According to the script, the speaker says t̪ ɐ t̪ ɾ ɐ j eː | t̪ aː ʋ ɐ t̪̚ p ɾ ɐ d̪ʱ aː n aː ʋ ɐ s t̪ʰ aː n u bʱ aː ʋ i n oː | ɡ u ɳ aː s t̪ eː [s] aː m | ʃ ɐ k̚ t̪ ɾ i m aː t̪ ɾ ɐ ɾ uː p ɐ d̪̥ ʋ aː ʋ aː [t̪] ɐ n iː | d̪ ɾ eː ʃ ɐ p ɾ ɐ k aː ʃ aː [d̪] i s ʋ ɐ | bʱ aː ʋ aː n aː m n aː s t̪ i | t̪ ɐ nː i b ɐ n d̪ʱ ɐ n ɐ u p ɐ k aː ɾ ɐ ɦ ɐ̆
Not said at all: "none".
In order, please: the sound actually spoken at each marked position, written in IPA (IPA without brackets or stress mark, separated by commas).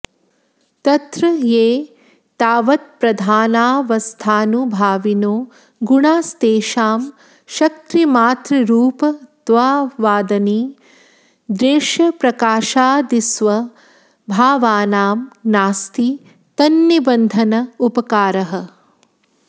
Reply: ʃ, d̪, d̪